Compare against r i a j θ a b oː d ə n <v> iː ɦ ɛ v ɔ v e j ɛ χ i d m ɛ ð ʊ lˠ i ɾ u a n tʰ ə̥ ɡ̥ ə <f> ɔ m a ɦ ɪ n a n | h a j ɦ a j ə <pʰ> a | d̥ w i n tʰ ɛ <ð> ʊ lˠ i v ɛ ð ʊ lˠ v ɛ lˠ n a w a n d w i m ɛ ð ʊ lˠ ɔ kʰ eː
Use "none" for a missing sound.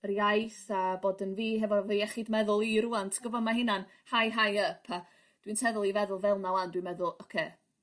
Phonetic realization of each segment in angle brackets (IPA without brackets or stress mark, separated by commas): v, v, pʰ, ð